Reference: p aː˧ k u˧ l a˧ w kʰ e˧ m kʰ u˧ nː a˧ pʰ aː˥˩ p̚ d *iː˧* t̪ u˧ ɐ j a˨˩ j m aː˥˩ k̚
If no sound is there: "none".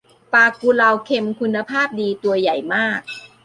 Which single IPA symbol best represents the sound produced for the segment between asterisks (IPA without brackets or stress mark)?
iː˧